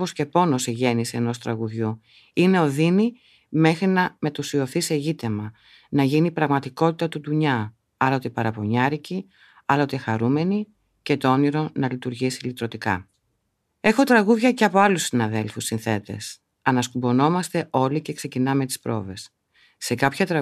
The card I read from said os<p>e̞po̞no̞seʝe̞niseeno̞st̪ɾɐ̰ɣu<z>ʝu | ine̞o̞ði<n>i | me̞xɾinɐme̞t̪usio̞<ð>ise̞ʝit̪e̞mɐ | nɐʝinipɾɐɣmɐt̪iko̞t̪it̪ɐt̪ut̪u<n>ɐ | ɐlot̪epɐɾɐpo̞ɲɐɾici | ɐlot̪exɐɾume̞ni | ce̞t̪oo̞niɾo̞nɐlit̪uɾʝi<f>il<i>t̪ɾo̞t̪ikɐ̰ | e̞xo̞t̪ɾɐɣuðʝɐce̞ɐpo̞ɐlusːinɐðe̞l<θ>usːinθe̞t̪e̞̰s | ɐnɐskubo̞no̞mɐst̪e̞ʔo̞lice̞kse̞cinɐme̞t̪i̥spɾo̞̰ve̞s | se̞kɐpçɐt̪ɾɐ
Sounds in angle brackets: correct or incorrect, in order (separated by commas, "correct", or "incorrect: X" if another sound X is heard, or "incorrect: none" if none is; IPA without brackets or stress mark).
incorrect: c, incorrect: ð, correct, incorrect: θ, incorrect: ɲ, incorrect: s, correct, incorrect: f